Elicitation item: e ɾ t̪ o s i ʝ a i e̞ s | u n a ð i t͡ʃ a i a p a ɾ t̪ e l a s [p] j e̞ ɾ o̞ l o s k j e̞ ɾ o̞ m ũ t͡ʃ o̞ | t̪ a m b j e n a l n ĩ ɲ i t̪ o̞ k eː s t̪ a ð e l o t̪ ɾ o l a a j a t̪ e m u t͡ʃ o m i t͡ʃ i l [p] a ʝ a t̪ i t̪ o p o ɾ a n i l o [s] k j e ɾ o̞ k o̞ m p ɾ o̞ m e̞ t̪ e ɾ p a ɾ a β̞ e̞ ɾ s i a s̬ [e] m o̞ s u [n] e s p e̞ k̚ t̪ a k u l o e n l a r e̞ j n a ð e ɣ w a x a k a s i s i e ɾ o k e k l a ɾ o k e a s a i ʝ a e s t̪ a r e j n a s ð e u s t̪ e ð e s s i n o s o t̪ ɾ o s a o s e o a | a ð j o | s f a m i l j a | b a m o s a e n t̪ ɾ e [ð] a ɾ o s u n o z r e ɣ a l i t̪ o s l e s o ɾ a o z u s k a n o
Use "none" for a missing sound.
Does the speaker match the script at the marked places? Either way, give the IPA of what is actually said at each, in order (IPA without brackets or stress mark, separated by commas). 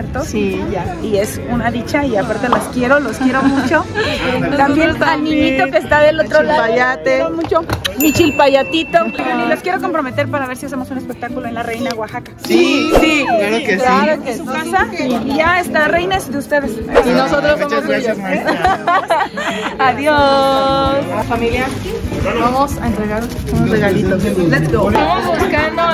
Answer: k, p, s, e, n, ɣ